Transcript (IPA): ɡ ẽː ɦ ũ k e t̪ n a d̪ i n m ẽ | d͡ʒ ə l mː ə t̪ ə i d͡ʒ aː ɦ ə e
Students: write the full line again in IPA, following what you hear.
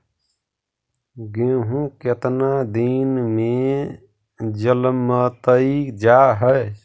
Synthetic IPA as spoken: ɡ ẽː ɦ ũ k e t̪ n a d̪ i n m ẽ | d͡ʒ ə l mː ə t̪ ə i d͡ʒ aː ɦ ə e